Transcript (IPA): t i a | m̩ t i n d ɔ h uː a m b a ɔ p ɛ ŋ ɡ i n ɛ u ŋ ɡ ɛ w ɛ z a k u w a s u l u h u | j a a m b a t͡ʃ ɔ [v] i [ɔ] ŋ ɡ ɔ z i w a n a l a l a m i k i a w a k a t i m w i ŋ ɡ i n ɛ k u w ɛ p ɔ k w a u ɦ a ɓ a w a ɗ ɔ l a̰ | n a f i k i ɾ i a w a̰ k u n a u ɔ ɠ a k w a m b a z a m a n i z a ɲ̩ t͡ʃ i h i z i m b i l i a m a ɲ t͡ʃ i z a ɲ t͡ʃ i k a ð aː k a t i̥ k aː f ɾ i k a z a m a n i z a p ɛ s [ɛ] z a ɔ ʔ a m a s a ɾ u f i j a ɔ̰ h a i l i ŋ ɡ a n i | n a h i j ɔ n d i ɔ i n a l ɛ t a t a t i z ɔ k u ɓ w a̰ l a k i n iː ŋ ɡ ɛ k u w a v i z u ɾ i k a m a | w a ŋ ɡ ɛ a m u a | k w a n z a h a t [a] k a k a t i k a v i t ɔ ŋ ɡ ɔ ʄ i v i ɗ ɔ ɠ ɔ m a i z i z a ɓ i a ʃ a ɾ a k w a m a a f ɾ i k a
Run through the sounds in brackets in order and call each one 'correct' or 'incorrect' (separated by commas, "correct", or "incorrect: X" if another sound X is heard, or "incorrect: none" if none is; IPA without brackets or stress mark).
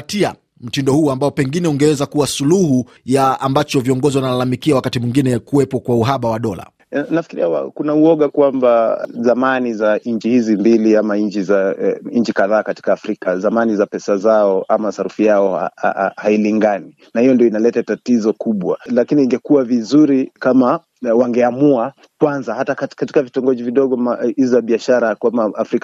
correct, correct, incorrect: a, correct